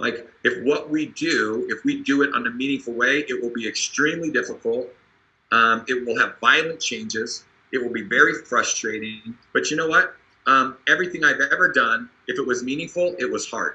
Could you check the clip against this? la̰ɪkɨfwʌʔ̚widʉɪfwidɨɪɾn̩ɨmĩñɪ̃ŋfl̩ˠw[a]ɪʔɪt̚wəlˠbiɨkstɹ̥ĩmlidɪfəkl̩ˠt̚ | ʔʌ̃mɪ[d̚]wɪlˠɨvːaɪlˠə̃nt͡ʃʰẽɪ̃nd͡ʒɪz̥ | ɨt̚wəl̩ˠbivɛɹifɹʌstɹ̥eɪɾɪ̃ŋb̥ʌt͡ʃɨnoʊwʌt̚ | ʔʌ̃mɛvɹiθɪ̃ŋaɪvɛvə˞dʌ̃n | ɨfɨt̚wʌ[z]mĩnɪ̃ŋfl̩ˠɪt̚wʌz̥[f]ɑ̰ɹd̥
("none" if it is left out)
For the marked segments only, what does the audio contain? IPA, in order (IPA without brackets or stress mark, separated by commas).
e, t̚, z, h